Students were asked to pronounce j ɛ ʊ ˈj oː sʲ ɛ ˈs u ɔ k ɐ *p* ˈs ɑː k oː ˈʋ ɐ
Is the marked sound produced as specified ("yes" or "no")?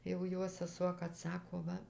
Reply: no